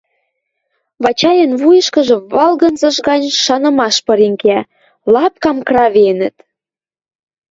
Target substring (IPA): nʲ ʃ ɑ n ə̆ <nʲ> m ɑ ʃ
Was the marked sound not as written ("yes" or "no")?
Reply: yes